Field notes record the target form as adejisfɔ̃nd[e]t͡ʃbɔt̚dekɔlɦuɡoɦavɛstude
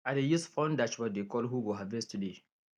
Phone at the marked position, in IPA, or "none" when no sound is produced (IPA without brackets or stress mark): a